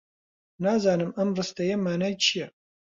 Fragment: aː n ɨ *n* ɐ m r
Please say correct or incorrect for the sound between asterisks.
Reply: incorrect: m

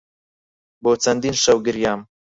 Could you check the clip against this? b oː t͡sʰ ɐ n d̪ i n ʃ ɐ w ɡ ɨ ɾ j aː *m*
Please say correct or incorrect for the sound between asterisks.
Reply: correct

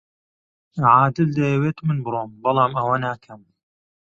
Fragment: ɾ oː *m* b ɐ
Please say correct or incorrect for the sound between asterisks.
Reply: correct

